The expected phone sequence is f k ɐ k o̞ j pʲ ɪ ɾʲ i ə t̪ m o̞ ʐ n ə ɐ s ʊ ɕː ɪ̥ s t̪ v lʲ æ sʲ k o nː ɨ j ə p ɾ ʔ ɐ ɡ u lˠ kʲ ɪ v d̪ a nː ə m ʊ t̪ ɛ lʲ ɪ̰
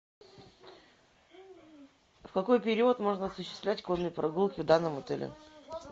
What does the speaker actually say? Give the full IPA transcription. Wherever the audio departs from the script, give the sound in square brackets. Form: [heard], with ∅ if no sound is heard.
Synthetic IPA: f k ɐ k o̞ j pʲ ɪ ɾʲ i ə t̪ m o̞ ʐ n ə ɐ s ʊ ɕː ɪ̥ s t̪ v lʲ æ [tʲ] k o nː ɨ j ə p ɾ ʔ ɐ ɡ u lˠ kʲ ɪ v d̪ a nː ə m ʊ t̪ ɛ lʲ ɪ̰